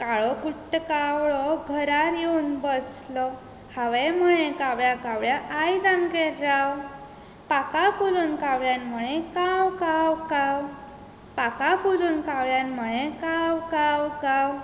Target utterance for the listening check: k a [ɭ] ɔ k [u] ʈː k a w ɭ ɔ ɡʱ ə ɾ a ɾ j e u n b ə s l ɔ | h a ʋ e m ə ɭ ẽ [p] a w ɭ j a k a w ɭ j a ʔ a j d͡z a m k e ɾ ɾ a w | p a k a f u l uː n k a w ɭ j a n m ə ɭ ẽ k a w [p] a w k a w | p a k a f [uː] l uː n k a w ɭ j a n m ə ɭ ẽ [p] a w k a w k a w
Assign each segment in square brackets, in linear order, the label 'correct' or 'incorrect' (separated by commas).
correct, correct, incorrect, incorrect, incorrect, incorrect